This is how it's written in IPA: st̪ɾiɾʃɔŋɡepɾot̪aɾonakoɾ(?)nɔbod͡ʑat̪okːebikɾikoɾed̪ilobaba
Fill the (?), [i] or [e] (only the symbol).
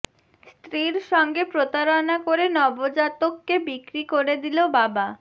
e